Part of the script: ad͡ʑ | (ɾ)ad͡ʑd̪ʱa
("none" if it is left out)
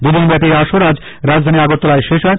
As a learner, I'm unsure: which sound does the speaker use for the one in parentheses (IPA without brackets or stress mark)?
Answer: ɾ